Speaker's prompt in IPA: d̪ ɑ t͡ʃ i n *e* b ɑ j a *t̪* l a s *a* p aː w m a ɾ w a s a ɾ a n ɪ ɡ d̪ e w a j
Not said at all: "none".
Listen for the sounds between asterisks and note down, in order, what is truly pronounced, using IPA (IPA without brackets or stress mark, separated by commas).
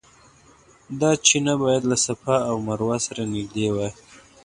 a, d̪, a